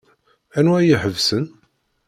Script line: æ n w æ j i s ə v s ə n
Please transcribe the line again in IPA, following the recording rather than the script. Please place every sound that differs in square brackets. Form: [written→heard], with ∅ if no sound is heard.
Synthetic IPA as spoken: æ n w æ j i [s→ħ] ə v s ə n